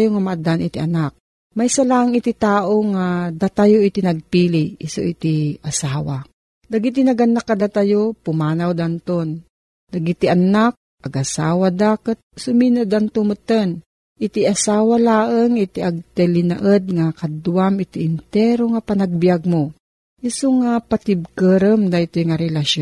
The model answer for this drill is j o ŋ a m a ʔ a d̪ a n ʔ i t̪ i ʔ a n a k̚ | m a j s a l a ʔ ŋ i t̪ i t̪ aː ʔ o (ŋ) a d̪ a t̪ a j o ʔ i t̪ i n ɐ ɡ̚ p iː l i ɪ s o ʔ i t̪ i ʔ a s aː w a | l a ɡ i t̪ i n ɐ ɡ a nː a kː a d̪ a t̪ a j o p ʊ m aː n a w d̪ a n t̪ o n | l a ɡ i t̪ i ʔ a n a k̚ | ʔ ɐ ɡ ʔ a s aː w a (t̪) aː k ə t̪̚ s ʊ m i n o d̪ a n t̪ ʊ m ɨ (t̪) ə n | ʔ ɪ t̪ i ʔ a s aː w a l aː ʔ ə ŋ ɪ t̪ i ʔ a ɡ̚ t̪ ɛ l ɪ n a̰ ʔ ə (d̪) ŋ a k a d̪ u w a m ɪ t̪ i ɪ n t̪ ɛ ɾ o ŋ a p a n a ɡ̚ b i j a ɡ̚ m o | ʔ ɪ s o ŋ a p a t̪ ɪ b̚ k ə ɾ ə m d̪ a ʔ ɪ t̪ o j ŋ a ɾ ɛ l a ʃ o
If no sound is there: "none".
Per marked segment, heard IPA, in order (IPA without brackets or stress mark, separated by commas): ŋ, d̪, t̪, d̪